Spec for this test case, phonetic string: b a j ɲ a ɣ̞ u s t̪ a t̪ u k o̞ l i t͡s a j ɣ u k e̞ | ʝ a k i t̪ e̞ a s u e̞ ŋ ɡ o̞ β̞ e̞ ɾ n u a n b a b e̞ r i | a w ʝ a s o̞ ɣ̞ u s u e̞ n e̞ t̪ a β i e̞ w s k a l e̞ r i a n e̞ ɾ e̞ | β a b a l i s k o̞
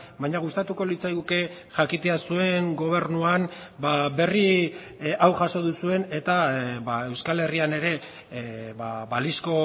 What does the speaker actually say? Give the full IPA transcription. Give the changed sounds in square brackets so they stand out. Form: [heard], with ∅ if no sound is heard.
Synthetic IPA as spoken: b a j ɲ a ɣ̞ u s t̪ a t̪ u k o̞ l i t͡s a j ɣ u k e̞ | ʝ a k i t̪ e̞ a s u e̞ ŋ ɡ o̞ β̞ e̞ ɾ n u a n b a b e̞ r i | a w ʝ a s o̞ [ð̞] u s u e̞ n e̞ t̪ a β [a] e̞ w s k a l e̞ r i a n e̞ ɾ e̞ | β a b a l i s k o̞